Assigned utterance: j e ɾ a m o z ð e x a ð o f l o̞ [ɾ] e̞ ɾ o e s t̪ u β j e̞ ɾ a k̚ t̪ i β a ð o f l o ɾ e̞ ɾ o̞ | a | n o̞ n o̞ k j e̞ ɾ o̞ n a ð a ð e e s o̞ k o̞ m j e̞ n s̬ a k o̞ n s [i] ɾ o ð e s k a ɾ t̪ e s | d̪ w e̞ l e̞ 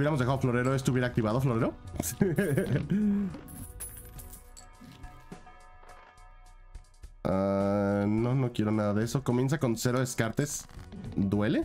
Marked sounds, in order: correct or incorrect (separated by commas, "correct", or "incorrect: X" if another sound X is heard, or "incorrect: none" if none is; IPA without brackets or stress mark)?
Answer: correct, incorrect: e